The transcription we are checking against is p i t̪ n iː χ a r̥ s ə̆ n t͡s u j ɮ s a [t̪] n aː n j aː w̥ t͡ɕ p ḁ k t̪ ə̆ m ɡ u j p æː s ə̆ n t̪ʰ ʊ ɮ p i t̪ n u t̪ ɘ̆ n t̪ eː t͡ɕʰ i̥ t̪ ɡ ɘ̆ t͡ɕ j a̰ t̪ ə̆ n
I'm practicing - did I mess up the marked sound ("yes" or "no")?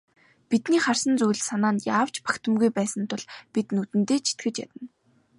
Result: yes